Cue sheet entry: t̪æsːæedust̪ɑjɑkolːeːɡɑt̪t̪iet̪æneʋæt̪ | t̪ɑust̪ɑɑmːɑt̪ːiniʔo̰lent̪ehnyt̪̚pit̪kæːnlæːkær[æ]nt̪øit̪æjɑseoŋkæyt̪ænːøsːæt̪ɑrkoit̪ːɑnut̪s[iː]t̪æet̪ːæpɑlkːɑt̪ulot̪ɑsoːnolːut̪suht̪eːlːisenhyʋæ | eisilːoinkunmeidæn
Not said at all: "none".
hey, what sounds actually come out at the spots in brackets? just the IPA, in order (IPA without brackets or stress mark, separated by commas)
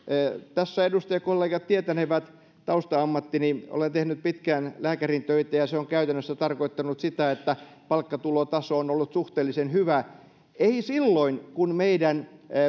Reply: i, i